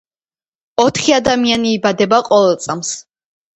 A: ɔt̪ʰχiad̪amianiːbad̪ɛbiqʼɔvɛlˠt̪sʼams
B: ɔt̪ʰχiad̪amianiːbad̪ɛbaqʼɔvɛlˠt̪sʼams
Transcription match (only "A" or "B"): B